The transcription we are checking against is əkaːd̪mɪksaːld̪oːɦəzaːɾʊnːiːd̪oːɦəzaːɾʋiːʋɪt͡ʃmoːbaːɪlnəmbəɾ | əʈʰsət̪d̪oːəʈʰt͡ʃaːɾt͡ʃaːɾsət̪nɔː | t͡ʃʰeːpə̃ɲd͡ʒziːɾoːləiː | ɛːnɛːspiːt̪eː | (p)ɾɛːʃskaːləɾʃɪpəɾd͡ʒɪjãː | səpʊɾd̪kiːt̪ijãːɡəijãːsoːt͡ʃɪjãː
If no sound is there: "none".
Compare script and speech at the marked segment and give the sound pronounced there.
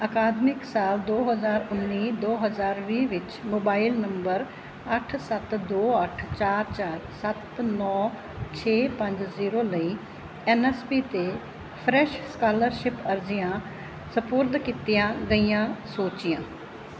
pʰ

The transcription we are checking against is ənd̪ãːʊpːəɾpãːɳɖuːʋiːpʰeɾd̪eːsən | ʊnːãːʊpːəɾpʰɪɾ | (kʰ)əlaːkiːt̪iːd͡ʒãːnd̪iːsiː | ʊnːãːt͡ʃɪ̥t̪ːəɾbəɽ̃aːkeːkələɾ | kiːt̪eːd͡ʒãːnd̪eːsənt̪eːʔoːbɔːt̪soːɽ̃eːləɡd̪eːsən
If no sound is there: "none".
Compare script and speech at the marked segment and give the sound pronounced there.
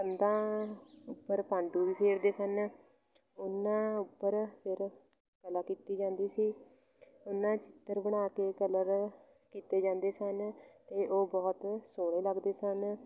k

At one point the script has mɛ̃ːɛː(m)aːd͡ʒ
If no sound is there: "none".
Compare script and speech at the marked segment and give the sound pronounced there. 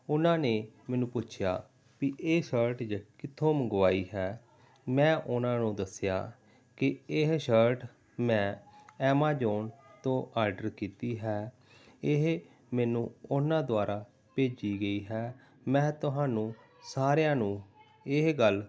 m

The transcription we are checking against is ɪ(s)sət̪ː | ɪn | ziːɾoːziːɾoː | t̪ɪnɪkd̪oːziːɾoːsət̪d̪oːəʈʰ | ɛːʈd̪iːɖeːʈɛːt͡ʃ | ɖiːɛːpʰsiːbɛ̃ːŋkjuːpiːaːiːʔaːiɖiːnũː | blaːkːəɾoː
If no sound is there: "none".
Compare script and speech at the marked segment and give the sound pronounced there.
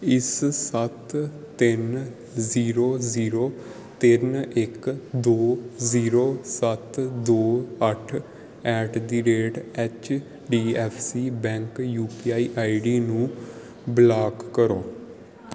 s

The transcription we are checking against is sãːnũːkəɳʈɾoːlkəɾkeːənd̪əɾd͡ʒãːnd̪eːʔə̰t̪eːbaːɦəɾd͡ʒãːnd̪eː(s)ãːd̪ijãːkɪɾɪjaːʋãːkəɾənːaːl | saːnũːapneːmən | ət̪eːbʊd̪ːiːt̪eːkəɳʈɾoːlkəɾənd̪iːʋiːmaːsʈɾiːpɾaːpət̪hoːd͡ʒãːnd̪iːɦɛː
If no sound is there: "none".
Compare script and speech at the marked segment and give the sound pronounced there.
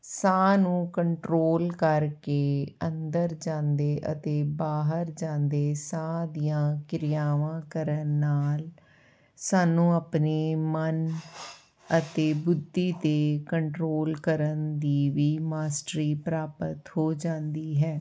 s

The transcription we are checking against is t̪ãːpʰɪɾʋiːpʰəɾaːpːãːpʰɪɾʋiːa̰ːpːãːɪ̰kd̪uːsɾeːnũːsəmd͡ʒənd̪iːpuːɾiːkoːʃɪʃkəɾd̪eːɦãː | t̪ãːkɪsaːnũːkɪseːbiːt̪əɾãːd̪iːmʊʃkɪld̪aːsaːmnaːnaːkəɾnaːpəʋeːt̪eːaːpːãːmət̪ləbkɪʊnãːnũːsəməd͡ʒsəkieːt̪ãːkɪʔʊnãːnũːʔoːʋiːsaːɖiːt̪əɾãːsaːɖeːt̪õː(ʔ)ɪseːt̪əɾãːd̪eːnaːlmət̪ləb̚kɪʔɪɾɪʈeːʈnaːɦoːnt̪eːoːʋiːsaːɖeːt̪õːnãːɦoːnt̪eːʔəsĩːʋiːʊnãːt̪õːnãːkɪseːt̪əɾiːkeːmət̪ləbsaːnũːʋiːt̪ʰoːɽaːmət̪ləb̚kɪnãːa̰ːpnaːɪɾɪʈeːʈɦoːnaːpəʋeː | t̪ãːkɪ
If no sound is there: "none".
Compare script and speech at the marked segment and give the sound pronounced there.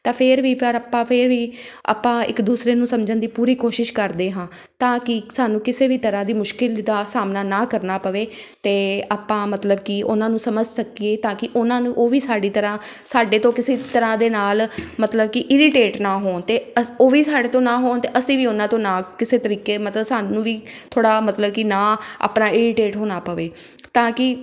k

